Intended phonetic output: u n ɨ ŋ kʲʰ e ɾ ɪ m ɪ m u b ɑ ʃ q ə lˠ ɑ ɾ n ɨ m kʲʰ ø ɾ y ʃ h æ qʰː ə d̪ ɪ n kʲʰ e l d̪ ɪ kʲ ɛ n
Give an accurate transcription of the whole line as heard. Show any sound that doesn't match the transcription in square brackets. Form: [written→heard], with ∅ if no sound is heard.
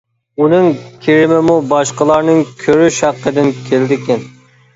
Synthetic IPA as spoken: u n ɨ ŋ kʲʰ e ɾ ɪ m ɪ m u b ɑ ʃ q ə lˠ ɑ ɾ n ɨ [m→ŋ] kʲʰ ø ɾ y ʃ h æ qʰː ə d̪ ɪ n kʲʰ e l d̪ ɪ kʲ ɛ n